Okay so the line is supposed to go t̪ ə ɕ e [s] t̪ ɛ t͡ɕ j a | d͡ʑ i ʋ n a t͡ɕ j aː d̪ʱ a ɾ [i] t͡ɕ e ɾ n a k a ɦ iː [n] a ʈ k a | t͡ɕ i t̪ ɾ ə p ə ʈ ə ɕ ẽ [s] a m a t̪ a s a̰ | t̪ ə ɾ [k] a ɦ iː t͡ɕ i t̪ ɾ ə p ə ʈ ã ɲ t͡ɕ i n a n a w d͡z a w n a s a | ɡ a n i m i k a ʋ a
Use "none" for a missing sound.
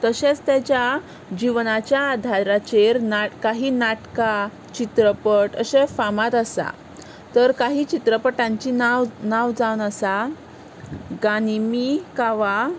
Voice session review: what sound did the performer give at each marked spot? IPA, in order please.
t͡s, a, n, f, k

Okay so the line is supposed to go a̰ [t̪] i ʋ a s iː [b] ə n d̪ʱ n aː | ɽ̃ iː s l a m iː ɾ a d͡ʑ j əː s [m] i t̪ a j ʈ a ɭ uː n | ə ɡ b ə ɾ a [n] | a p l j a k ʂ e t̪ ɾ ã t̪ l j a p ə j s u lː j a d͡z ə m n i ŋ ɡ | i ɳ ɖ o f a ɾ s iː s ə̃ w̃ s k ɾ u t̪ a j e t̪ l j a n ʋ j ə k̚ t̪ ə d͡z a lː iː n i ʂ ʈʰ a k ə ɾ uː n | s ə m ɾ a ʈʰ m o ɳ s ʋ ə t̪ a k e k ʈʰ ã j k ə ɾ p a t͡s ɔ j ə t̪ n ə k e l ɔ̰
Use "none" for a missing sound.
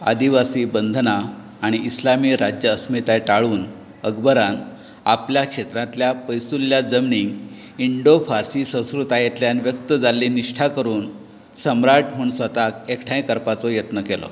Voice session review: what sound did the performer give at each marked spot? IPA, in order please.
d̪, b, m, n

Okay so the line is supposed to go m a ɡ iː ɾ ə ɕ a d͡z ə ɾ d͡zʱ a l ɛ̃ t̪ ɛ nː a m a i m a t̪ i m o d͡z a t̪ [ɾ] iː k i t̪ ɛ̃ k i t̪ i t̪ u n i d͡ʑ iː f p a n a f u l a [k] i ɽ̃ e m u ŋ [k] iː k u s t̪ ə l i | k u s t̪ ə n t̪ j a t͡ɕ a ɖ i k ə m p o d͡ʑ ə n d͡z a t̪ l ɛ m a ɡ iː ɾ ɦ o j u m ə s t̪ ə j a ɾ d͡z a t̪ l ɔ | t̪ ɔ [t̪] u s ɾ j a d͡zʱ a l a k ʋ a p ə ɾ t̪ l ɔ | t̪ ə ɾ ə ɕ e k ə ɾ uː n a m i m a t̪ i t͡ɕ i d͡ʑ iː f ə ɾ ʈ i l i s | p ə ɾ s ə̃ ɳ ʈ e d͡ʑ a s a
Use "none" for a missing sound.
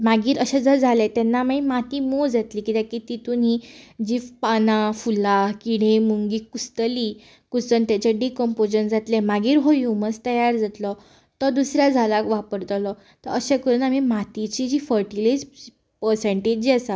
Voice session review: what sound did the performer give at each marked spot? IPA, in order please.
l, k, ɡ, d̪

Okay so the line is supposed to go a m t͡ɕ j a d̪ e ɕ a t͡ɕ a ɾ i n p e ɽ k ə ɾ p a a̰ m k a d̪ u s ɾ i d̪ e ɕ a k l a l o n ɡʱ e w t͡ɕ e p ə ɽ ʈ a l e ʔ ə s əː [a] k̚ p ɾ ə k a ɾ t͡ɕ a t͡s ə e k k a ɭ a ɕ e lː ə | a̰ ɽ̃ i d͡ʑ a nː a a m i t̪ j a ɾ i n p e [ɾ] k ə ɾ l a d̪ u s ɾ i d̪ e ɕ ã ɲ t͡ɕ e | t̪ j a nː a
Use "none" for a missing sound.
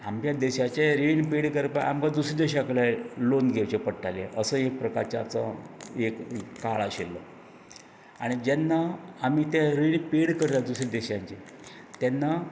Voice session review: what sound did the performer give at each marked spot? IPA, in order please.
e, ɽ

